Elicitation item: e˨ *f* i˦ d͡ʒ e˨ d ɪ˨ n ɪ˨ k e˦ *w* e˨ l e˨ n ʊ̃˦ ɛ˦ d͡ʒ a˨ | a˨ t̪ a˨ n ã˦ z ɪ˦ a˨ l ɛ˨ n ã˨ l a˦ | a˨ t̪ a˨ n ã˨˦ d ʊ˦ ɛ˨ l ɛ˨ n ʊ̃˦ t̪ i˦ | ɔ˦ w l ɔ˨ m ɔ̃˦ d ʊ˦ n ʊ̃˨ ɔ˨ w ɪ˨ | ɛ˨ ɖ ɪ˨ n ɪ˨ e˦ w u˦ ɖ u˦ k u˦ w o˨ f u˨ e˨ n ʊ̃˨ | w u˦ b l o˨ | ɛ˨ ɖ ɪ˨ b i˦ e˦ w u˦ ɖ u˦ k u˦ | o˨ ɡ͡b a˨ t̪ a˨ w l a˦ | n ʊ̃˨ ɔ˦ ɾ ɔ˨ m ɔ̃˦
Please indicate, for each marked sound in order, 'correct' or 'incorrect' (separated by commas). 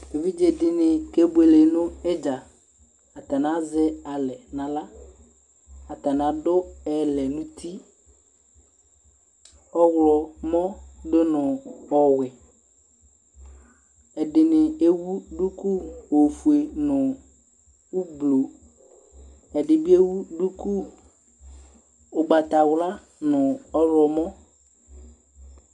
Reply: incorrect, incorrect